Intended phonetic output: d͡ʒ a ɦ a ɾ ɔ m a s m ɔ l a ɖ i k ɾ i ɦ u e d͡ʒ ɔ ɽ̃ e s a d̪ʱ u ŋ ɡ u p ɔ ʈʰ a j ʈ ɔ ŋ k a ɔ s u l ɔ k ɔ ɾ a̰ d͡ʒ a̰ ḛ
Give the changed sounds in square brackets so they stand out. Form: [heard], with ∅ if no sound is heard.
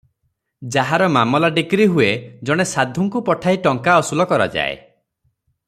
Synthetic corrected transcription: d͡ʒ a ɦ a ɾ ɔ m a [∅] m ɔ l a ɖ i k ɾ i ɦ u e d͡ʒ ɔ ɽ̃ e s a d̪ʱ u ŋ [k] u p ɔ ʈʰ a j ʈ ɔ ŋ k a ɔ s u l ɔ k ɔ ɾ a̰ d͡ʒ a̰ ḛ